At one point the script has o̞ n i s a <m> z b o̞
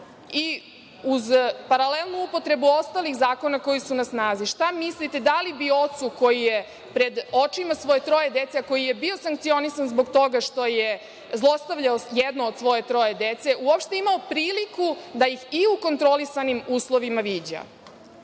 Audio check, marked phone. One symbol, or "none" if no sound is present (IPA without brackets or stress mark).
n